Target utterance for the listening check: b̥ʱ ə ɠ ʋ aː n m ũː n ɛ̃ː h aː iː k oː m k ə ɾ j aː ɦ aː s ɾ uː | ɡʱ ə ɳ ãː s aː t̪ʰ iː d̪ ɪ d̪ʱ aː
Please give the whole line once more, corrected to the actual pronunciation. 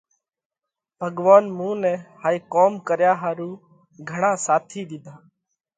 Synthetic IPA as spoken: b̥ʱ ə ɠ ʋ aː n m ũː n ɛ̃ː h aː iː k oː m k ə ɾ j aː ɦ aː ɾ uː | ɡʱ ə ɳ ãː s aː t̪ʰ iː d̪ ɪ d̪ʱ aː